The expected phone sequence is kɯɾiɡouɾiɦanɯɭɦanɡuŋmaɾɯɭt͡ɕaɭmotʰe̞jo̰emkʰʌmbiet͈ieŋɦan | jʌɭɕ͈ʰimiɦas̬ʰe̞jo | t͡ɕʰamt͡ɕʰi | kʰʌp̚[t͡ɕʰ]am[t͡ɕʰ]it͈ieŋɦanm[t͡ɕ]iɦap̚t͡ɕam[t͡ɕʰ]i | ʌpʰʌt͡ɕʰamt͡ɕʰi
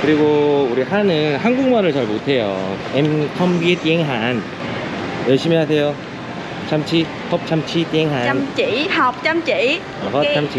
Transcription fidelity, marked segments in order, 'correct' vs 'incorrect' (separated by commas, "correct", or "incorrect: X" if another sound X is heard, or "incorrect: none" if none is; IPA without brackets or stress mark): correct, correct, correct, incorrect: t͡ɕ